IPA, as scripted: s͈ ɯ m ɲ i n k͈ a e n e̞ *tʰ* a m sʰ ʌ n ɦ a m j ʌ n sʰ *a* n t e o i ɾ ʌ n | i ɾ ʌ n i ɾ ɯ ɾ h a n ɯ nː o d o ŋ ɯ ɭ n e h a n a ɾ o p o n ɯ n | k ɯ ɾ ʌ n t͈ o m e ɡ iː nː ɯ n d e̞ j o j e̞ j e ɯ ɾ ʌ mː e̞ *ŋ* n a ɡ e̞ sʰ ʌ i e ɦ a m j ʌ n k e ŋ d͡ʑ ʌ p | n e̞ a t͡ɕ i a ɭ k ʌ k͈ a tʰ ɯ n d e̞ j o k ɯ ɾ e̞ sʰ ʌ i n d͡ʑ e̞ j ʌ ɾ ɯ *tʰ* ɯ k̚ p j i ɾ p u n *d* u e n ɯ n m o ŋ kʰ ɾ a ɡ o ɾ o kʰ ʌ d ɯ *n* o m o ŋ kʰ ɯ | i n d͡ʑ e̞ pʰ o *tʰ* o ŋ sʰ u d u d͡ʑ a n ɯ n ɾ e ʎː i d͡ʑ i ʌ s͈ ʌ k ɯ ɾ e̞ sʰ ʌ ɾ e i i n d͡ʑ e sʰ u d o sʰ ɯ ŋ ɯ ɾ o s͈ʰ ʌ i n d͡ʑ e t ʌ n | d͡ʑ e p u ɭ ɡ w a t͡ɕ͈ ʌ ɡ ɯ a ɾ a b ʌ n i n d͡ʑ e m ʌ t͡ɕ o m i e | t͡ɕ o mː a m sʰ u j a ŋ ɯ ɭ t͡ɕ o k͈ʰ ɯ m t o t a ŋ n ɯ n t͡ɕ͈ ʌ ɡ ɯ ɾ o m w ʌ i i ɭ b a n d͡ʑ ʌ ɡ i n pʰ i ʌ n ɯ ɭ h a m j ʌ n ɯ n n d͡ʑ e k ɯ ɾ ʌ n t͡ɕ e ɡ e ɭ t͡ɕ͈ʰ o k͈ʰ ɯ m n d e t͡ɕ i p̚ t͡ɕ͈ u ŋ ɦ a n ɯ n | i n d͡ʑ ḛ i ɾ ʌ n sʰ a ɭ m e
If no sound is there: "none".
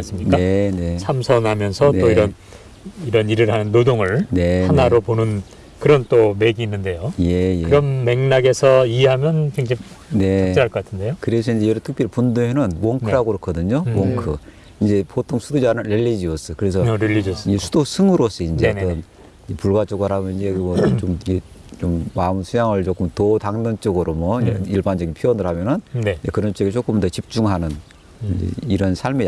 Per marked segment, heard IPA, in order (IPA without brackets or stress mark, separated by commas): sʰ, ʌ, ŋ, tʰ, d, ɲ, tʰ